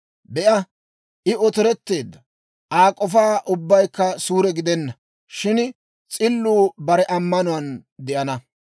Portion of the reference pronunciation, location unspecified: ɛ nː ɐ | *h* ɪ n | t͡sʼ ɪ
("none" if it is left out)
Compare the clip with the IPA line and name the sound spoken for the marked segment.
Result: ʃ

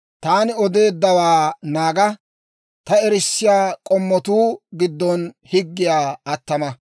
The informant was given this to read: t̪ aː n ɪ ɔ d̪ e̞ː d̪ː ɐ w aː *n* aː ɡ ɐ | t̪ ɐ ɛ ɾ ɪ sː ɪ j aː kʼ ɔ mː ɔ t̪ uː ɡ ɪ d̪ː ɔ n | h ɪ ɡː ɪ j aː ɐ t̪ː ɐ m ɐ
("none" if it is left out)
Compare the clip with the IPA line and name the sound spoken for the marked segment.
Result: n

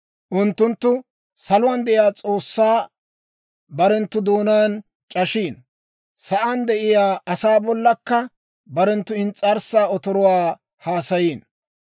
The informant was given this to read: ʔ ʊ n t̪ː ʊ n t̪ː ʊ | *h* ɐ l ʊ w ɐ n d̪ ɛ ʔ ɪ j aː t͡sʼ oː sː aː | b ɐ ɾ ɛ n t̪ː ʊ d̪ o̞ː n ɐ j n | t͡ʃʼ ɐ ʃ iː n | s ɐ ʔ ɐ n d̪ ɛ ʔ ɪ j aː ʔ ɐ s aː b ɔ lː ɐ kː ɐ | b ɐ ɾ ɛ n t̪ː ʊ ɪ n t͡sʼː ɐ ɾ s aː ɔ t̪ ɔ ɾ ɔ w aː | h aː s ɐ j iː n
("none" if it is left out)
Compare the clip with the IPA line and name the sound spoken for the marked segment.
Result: s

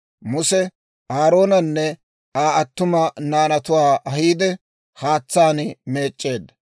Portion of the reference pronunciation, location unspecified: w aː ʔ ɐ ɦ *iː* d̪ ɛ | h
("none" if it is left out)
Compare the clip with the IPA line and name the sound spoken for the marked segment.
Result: iː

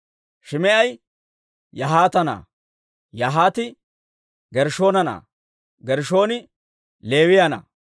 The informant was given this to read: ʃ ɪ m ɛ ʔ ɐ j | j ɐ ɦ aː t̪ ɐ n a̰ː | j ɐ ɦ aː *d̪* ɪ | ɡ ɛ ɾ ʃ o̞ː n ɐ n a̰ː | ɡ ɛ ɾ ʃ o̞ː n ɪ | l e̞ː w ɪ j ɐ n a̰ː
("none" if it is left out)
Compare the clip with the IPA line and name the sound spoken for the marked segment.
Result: t̪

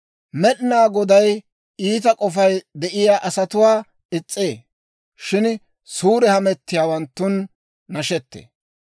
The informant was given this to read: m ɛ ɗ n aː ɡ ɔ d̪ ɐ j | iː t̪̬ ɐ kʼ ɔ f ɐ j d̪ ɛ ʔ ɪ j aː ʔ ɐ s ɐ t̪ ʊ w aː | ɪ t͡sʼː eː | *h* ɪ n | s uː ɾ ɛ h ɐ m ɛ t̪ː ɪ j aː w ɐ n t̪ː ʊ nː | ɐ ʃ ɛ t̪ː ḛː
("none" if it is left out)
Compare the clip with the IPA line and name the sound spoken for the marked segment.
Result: ʃ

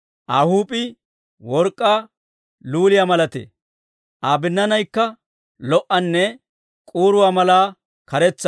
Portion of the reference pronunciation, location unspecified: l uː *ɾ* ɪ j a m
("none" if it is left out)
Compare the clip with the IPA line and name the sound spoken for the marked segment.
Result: l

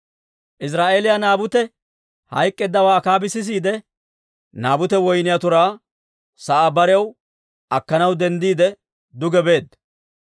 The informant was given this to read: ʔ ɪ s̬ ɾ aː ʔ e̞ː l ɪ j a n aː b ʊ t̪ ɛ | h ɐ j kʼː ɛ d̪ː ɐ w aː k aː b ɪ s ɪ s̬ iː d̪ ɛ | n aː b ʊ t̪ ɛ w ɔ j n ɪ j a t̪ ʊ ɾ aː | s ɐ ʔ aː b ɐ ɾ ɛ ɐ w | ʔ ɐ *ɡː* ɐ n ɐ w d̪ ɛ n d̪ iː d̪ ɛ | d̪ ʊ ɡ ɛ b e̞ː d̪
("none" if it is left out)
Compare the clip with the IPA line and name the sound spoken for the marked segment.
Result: kː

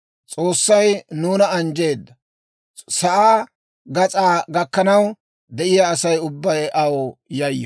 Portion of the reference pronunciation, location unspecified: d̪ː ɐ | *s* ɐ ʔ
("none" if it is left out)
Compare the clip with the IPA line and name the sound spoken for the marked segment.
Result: s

